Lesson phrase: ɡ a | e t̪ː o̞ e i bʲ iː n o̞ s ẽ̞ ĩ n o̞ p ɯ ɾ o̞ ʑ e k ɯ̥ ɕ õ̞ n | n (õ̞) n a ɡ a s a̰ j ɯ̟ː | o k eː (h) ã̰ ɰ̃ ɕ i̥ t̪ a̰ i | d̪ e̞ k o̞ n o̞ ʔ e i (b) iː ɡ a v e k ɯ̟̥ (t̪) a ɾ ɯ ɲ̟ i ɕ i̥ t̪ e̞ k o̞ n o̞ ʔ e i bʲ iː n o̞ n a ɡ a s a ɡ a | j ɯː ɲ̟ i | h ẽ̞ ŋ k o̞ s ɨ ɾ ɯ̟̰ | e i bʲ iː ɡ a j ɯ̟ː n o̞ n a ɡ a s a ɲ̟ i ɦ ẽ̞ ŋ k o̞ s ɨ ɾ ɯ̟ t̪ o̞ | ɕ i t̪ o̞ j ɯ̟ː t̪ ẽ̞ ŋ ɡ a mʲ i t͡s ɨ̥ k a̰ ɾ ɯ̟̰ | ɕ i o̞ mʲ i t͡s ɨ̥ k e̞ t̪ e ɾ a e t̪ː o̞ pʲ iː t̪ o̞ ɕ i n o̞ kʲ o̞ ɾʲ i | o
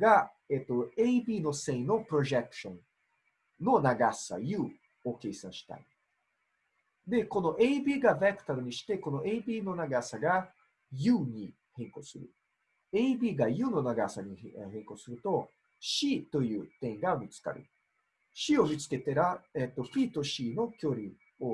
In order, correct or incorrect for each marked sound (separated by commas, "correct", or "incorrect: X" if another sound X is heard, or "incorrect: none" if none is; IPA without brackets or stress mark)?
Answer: incorrect: o̞, incorrect: s, correct, correct